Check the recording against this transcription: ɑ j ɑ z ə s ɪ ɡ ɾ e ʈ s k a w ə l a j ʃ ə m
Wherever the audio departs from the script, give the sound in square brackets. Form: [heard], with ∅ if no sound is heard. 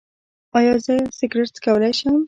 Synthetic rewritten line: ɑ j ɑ z ə s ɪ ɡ ɾ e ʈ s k a w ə l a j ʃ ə m